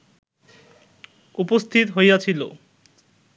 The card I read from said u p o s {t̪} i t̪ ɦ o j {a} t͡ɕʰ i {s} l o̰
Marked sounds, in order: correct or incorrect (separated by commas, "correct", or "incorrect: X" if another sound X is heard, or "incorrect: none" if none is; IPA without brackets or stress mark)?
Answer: incorrect: t̪ʰ, correct, incorrect: none